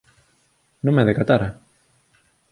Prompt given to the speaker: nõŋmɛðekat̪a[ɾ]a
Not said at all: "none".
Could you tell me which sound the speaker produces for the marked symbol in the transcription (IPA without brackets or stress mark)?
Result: ɾ